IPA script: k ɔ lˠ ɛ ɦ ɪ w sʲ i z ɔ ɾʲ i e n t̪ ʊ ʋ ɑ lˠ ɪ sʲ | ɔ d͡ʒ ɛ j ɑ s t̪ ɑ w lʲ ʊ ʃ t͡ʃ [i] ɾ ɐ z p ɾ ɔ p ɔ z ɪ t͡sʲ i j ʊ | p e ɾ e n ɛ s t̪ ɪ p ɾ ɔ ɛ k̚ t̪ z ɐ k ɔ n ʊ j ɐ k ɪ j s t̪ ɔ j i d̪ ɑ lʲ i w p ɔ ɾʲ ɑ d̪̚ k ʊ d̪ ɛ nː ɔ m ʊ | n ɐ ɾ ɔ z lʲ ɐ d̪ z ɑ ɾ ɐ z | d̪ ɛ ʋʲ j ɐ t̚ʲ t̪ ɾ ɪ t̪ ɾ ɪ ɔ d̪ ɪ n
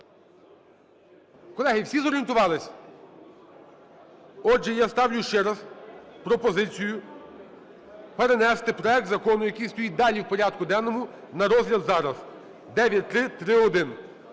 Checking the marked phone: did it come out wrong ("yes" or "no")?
yes